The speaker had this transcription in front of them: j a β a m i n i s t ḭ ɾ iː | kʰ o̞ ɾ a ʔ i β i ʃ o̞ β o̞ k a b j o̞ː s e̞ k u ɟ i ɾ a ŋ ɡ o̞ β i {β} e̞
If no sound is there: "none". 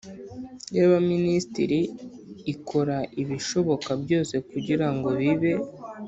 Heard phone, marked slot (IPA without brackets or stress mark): β